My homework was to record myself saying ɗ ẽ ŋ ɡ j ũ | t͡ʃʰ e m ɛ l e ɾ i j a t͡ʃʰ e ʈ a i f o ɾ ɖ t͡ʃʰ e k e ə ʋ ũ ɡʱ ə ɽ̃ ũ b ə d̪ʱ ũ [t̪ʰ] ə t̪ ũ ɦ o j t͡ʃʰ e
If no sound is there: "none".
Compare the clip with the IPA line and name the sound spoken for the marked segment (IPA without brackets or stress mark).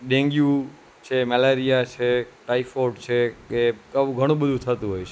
t̪ʰ